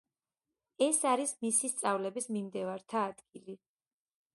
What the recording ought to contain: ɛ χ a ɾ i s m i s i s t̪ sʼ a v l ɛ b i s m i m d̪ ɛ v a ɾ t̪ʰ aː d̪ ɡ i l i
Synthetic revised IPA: ɛ s a ɾ i s m i s i s t̪ sʼ a v l ɛ b i s m i m d̪ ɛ v a ɾ t̪ʰ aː d̪ ɡ i l i